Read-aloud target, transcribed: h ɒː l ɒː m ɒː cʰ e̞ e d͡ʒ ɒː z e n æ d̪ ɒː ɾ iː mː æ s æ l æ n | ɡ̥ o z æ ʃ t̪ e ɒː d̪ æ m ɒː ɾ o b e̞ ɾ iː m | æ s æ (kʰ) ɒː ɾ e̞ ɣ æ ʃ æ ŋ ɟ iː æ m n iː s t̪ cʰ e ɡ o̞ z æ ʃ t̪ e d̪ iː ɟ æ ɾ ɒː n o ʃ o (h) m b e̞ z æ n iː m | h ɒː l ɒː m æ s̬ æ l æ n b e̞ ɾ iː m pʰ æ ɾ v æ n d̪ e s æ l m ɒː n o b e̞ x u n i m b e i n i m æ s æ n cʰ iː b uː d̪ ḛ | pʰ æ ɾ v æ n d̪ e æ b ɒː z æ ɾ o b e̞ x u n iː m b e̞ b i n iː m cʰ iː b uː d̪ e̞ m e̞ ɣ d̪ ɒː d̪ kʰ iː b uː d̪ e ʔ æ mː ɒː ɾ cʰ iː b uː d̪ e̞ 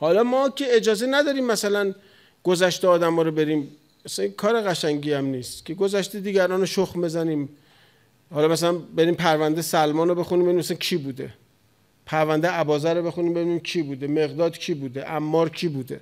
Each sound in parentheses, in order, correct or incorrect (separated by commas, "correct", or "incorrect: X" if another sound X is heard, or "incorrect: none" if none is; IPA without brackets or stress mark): correct, incorrect: x